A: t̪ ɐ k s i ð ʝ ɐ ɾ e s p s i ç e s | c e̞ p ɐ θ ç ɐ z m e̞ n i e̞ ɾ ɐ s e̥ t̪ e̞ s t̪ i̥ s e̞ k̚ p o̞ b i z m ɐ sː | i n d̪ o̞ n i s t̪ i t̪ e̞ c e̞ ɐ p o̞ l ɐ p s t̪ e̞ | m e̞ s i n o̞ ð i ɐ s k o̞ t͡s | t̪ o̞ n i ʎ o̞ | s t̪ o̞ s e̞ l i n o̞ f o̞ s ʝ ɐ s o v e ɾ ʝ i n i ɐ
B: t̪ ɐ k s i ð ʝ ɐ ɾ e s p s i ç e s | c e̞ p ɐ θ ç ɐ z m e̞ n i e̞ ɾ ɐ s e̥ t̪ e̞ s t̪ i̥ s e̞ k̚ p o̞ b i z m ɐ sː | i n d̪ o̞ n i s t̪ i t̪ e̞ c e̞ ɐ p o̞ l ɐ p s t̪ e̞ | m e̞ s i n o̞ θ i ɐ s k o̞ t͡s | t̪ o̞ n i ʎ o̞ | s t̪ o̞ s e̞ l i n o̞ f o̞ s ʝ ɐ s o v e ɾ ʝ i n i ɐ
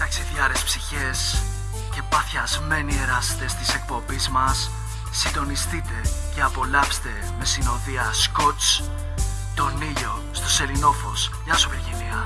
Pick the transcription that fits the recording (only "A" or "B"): A